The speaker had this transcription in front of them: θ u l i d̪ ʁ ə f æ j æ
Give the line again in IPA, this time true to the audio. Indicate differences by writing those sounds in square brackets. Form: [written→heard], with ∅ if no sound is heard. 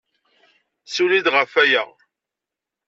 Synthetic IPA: [θ→s] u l i d̪ ʁ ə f æ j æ